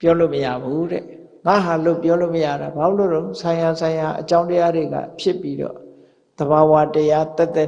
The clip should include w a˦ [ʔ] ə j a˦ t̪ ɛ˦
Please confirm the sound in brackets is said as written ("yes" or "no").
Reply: no